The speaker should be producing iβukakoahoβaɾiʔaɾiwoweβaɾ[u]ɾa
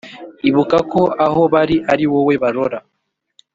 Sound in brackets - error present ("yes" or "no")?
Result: yes